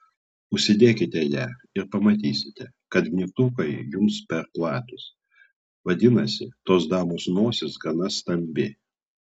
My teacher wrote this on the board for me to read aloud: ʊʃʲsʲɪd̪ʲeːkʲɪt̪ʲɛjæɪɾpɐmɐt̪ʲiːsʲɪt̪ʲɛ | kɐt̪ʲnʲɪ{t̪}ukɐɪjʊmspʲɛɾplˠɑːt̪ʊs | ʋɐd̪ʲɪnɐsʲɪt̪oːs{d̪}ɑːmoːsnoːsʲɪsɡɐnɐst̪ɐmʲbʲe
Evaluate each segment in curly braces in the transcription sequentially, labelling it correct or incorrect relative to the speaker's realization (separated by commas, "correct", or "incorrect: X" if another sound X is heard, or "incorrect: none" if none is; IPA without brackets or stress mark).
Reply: correct, correct